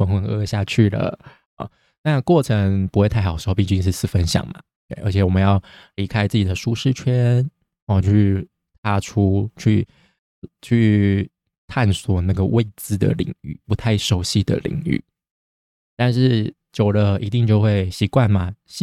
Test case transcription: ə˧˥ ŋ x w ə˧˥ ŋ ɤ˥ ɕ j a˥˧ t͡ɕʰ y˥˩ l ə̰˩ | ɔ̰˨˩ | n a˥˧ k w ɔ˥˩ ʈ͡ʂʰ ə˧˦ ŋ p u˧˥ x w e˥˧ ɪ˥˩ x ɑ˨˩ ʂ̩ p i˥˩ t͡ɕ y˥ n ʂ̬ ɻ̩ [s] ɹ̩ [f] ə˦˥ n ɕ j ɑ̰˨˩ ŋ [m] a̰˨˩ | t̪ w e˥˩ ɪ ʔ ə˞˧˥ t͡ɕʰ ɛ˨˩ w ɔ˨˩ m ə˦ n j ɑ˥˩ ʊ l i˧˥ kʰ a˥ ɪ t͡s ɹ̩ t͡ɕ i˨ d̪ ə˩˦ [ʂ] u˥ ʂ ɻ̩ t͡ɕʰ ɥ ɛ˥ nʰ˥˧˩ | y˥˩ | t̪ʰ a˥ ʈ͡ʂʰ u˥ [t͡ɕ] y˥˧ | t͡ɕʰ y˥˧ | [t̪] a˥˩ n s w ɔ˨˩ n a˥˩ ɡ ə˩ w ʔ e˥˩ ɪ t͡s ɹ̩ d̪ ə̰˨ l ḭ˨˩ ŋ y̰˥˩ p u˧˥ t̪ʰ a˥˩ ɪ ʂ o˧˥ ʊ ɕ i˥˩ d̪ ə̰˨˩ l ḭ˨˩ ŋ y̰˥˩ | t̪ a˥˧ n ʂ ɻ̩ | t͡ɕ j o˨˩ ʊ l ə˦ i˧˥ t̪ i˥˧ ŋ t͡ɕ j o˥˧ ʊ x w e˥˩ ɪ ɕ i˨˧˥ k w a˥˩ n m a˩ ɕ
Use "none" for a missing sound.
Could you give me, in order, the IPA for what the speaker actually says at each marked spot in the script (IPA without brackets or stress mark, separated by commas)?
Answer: s, f, m, ʂ, t͡ɕʰ, t̪ʰ